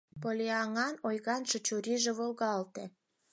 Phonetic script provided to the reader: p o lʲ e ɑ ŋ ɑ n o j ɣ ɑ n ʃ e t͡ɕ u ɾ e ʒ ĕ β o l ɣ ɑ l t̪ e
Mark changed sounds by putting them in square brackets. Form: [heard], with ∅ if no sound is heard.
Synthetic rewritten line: p o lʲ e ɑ ŋ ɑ n o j ɣ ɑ n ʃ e t͡ɕ u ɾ [i] ʒ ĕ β o l ɣ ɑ l t̪ e

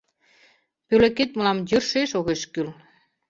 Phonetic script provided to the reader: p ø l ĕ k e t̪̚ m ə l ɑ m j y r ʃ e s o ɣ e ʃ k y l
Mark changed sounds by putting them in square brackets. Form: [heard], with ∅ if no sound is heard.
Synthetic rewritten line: p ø l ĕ k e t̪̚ m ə l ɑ m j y r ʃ e [ʃ] o ɣ e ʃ k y l

